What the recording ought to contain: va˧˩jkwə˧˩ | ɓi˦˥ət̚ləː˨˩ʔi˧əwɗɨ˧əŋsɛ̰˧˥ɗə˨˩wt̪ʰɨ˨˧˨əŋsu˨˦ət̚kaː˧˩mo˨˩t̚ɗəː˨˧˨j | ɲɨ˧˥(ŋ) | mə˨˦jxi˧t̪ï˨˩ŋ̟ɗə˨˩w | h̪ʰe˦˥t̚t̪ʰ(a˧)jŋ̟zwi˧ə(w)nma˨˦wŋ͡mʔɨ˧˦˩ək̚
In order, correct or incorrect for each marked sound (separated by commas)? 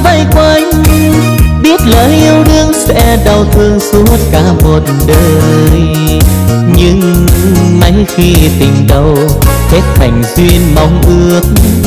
correct, incorrect, incorrect